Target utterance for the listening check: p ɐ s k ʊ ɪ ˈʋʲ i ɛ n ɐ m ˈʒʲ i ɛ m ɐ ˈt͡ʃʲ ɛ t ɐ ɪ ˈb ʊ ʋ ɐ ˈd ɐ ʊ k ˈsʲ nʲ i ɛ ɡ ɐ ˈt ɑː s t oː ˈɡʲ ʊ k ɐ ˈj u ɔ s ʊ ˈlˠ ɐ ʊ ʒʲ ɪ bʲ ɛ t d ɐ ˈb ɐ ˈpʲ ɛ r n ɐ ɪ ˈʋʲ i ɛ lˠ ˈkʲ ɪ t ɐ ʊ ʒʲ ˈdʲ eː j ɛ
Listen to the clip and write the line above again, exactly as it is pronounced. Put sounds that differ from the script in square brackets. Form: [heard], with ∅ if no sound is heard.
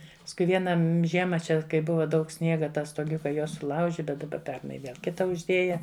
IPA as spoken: p ɐ s k ʊ ɪ ˈʋʲ i ɛ n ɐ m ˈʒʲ i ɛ m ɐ ˈt͡ʃʲ ɛ [k] ɐ ɪ ˈb ʊ ʋ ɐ ˈd ɐ ʊ k ˈsʲ nʲ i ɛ ɡ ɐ ˈt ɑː s t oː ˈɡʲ ʊ k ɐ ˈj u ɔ s ʊ ˈlˠ ɐ ʊ ʒʲ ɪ bʲ ɛ t d ɐ ˈb ɐ ˈpʲ ɛ r n ɐ ɪ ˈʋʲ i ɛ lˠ ˈkʲ ɪ t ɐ ʊ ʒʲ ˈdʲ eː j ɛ